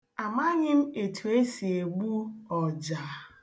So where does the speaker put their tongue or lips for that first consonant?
lips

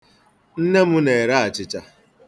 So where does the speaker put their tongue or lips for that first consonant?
tongue tip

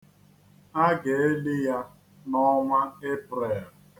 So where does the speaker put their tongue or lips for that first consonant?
velum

